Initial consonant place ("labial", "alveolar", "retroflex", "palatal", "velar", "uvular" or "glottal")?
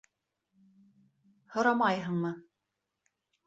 glottal